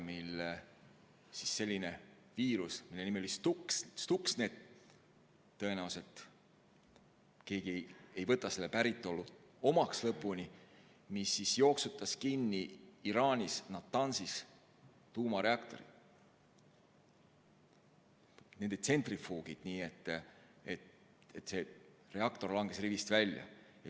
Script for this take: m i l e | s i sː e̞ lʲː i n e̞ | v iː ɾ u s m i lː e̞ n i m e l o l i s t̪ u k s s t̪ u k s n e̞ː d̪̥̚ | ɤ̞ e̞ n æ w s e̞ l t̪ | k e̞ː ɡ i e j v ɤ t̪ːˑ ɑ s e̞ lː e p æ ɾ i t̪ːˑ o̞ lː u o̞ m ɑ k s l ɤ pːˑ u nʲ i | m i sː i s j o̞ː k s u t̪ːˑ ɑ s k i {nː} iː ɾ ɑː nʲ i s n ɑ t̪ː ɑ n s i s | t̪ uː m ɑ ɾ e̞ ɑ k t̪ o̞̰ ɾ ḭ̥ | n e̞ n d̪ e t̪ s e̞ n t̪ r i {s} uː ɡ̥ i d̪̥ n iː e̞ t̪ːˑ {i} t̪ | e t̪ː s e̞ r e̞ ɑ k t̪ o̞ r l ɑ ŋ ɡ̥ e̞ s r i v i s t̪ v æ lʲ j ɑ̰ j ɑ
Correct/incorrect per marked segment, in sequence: correct, incorrect: f, incorrect: e

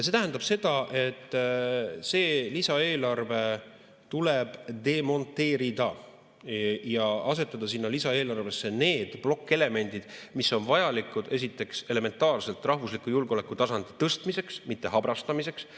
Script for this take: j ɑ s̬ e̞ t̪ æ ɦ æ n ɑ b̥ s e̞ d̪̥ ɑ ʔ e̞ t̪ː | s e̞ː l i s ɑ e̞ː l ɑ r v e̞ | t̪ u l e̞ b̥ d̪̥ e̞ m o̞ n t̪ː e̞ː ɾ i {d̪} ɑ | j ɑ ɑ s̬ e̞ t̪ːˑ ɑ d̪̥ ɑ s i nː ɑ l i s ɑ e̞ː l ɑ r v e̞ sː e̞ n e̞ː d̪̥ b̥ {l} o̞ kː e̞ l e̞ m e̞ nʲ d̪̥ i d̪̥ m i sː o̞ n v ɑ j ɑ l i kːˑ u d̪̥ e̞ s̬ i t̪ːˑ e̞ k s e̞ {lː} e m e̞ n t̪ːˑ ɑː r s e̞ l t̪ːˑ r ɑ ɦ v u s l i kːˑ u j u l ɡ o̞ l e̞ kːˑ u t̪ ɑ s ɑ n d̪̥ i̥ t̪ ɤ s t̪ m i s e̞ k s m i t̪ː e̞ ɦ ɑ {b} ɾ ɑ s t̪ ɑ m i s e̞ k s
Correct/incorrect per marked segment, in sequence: correct, correct, incorrect: l, correct

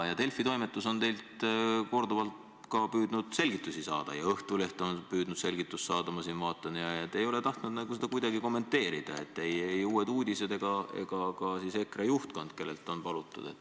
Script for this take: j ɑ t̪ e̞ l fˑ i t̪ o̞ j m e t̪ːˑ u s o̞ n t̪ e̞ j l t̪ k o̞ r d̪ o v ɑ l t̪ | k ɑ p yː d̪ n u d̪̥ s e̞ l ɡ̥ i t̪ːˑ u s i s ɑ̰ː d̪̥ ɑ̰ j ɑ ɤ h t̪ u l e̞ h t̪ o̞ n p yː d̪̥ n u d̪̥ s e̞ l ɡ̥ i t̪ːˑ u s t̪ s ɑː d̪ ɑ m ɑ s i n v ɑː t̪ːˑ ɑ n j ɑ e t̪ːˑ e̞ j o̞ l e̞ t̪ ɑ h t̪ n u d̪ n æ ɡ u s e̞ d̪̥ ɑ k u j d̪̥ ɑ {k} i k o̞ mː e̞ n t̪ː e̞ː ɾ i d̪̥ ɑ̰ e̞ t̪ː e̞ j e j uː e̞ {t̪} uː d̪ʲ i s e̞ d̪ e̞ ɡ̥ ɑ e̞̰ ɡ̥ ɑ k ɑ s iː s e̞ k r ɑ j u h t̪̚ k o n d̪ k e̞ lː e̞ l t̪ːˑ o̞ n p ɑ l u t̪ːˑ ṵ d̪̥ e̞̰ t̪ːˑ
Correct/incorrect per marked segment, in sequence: incorrect: ɡ, incorrect: d̪

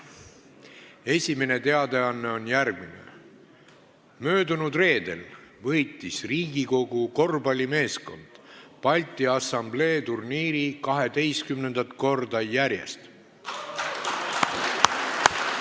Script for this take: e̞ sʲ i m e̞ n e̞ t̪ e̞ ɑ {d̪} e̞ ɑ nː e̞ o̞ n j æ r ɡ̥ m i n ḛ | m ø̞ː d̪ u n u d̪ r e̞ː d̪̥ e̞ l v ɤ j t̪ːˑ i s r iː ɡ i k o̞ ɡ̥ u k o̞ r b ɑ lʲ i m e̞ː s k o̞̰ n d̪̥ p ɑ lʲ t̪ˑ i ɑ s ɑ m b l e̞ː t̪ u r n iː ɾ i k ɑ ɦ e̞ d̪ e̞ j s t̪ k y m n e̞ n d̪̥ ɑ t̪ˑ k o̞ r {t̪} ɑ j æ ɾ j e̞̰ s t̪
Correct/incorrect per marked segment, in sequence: correct, incorrect: d̪

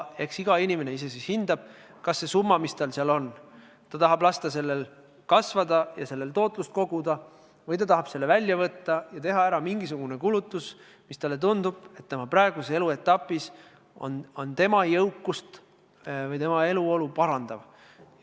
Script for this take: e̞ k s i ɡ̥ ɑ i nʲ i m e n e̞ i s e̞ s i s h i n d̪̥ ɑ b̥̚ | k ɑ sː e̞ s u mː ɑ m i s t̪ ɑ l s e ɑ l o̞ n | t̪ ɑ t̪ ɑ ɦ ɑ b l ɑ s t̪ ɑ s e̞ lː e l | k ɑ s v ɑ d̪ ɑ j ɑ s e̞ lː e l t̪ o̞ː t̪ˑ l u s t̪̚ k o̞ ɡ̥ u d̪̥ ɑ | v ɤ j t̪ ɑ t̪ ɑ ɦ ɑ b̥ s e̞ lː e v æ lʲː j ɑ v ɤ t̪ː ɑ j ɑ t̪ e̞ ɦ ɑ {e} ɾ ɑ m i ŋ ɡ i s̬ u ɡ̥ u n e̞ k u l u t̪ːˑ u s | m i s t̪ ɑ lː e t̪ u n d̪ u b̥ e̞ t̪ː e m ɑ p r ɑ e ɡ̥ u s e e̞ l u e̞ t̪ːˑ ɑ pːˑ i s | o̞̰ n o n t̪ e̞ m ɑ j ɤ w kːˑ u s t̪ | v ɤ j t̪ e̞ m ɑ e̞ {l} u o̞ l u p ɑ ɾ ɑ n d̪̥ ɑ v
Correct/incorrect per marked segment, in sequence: incorrect: æ, correct

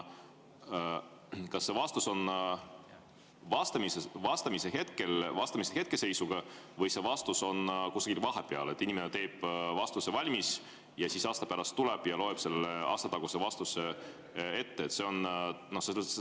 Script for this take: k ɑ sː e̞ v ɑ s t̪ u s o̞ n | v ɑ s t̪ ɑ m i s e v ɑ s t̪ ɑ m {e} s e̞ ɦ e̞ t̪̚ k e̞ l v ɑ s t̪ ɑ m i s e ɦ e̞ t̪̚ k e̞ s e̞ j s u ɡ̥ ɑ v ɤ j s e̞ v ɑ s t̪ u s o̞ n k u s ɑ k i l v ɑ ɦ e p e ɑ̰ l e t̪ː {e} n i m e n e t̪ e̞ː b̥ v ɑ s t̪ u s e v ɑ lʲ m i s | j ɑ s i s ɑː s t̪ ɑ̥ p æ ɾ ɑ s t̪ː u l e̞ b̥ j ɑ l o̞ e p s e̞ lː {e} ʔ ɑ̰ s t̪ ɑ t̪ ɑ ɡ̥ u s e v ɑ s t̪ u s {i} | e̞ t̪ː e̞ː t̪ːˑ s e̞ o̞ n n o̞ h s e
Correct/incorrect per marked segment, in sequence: incorrect: i, incorrect: i, correct, incorrect: e

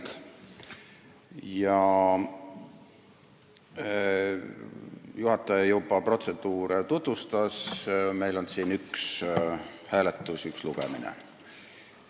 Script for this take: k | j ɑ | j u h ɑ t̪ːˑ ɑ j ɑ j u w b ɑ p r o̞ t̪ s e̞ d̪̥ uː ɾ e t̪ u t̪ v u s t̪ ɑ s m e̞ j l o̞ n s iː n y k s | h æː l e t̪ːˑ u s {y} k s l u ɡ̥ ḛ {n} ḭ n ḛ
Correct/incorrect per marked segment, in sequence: correct, incorrect: m

